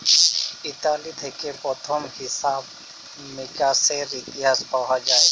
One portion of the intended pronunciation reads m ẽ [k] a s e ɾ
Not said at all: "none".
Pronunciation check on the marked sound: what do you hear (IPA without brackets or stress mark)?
k